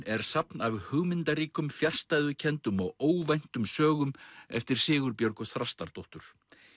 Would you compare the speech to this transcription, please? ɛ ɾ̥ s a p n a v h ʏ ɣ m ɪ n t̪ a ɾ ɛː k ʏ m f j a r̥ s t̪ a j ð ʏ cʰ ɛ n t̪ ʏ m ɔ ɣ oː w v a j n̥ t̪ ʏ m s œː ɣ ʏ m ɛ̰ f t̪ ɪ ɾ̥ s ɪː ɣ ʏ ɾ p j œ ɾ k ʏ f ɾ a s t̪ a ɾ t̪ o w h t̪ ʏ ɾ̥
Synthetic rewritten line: ɛ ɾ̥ s a p n a v h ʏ ɣ m ɪ n t̪ a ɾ iː k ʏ m f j a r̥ s t̪ a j ð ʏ cʰ ɛ n t̪ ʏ m ɔ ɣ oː w v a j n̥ t̪ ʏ m s œː ɣ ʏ m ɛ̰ f t̪ ɪ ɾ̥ s ɪː ɣ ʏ ɾ p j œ ɾ k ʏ θ ɾ a s t̪ a ɾ t̪ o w h t̪ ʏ ɾ̥